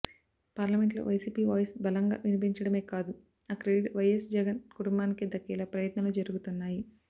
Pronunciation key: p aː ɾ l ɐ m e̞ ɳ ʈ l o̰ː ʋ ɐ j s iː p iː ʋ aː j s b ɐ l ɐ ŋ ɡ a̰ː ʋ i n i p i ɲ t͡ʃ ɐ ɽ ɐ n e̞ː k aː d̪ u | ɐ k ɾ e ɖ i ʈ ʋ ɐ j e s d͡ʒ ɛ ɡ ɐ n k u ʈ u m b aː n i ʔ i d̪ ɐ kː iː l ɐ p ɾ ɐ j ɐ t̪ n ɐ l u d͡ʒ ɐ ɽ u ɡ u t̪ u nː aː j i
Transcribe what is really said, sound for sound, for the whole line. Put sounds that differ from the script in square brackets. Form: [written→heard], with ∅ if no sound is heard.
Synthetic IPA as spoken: p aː ɾ l ɐ m e̞ ɳ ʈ l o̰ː ʋ ɐ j s iː p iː ʋ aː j s b ɐ l ɐ ŋ ɡ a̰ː ʋ i n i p i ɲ t͡ʃ ɐ ɽ ɐ [n→m] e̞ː k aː d̪ u | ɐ k ɾ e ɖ i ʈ ʋ ɐ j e s d͡ʒ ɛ ɡ ɐ n k u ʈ u m b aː n i [ʔ→k] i d̪ ɐ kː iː l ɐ p ɾ ɐ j ɐ t̪ n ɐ l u d͡ʒ ɐ [ɽ→ɾ] u ɡ u t̪ u nː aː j i